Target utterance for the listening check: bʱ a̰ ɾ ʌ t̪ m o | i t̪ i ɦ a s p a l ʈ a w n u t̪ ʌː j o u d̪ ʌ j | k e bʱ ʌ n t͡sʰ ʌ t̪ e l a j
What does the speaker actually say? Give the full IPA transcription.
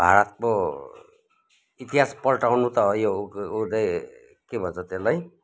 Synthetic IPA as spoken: bʱ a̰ ɾ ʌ t̪ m o | i t̪ i ɦ a s p ʌ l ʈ a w n u t̪ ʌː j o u d̪ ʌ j | k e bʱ ʌ n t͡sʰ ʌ t̪ e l a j